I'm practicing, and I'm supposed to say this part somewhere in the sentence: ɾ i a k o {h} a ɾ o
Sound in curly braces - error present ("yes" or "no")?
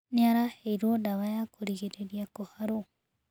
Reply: no